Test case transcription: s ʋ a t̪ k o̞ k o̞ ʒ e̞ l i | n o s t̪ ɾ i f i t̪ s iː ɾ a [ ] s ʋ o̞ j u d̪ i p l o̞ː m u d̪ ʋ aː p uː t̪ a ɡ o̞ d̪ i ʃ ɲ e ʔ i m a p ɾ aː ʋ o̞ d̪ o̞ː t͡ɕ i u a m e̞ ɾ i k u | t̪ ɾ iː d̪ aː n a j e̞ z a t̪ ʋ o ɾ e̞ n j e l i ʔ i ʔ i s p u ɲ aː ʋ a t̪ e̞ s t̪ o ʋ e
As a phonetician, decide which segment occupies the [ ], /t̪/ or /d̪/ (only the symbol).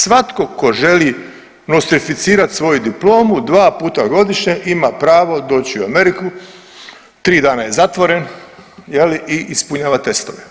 t̪